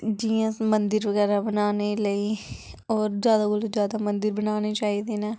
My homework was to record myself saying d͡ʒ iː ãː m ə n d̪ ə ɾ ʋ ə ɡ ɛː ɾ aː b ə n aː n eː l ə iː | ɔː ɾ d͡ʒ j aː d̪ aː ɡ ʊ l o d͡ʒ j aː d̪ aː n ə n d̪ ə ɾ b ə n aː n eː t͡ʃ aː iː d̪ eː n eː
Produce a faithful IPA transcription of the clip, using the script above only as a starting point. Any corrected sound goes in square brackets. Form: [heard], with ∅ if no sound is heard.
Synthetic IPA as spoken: d͡ʒ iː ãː m ə n d̪ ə ɾ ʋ ə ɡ ɛː ɾ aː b ə n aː n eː l ə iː | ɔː ɾ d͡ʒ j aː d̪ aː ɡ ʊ l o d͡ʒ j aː d̪ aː [m] ə n d̪ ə ɾ b ə n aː n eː t͡ʃ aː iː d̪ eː n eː

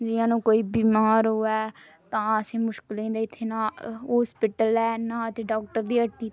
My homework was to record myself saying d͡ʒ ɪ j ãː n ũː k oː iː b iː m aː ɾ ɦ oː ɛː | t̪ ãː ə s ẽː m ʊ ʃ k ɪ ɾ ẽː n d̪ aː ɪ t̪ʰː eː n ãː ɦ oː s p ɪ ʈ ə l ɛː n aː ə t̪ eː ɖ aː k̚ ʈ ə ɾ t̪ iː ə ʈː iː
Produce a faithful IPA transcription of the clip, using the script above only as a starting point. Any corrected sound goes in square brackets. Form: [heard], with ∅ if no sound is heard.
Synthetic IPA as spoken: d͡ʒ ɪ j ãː n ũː k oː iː b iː m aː ɾ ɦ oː ɛː | t̪ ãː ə s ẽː m ʊ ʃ k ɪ [l] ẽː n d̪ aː ɪ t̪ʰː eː n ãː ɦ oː s p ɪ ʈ ə l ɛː n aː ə t̪ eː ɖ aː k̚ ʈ ə ɾ [d̪] iː ə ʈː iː

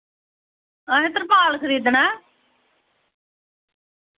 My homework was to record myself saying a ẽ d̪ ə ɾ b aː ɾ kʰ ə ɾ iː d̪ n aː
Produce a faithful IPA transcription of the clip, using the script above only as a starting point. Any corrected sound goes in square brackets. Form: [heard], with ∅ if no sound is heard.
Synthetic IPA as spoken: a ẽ [t̪] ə ɾ [p] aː [l] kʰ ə ɾ iː d̪ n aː

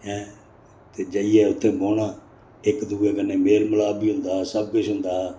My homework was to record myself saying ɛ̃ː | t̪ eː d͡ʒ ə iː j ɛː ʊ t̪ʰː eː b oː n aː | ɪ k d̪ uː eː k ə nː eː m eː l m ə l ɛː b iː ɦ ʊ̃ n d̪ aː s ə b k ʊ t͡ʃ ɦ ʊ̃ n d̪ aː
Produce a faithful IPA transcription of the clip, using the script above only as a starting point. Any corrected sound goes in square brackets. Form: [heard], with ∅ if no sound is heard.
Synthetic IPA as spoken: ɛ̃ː | t̪ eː d͡ʒ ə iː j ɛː ʊ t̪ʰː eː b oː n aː | ɪ k d̪ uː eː k ə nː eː m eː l m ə l [aː] b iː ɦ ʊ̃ n d̪ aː s ə b k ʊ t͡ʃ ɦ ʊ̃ n d̪ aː

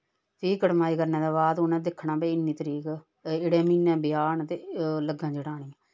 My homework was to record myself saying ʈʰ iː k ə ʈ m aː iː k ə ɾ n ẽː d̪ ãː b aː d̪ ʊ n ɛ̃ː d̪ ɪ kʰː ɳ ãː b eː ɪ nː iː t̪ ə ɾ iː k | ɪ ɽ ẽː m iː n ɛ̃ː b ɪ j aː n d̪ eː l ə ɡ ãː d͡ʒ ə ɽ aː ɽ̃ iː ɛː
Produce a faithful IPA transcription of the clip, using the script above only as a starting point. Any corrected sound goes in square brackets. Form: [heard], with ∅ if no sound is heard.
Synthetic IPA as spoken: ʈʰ iː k ə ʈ m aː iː k ə ɾ n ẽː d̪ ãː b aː d̪ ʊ n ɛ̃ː d̪ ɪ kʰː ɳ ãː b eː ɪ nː iː t̪ ə ɾ iː k | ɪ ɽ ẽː m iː n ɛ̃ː b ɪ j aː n [t̪] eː l ə ɡ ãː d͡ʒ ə ɽ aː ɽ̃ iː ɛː

